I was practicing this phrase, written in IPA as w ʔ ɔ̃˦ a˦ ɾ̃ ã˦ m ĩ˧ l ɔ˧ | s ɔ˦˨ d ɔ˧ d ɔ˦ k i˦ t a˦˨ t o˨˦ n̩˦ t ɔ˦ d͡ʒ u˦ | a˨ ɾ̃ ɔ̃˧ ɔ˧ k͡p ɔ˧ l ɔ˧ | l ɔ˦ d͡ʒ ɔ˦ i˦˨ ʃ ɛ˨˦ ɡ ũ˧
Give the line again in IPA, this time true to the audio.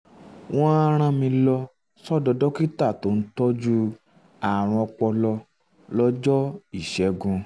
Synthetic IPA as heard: w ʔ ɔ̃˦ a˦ ɾ̃ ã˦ m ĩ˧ l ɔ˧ | s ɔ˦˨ d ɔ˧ d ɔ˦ k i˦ t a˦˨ t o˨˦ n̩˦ t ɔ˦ d͡ʒ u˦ | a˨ ɾ̃ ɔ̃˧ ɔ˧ k͡p ɔ˧ l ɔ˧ | l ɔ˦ d͡ʒ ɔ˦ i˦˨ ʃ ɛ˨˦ ɡ ũ˧